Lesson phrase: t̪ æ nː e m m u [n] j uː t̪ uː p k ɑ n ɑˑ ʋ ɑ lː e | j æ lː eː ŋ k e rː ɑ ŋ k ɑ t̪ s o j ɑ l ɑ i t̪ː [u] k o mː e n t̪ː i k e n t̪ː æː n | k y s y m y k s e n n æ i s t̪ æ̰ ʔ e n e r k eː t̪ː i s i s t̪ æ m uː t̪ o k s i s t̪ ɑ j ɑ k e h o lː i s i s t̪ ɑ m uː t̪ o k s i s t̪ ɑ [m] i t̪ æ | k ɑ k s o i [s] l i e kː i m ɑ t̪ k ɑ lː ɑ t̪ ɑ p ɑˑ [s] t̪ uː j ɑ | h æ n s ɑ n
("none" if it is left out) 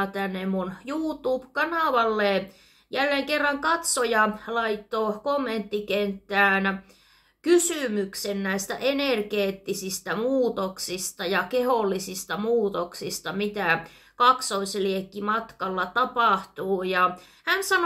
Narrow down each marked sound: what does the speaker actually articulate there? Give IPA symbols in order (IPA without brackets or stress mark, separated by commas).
n, o, m, s, h